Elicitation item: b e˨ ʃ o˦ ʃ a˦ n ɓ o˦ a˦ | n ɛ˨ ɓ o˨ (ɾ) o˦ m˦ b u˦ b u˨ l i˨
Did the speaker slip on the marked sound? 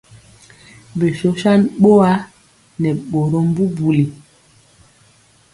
no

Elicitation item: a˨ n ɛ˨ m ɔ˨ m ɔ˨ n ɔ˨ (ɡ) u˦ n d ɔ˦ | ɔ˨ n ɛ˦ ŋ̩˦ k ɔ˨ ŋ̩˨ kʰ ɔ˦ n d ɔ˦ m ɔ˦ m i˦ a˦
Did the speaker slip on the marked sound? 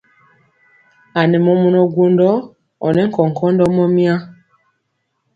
no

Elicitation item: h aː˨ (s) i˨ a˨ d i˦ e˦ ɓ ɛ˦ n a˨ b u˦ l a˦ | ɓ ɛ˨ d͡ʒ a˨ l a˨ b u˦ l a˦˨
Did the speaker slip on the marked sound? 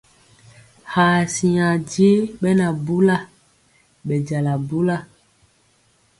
no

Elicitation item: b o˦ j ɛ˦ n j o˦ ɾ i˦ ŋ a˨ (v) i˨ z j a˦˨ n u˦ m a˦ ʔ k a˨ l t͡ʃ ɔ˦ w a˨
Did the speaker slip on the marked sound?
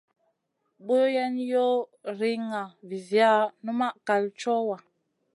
no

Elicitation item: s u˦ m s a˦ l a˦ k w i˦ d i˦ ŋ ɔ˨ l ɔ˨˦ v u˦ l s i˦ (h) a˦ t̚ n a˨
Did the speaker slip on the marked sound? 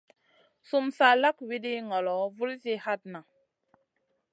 no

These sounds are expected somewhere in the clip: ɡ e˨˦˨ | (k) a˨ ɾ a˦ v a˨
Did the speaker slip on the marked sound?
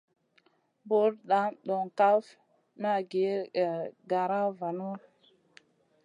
yes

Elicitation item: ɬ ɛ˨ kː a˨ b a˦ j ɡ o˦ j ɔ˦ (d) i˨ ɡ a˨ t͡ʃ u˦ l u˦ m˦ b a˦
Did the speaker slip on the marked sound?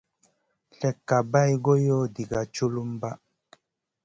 no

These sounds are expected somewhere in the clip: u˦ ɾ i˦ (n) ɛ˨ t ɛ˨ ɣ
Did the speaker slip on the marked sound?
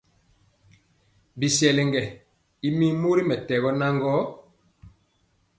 yes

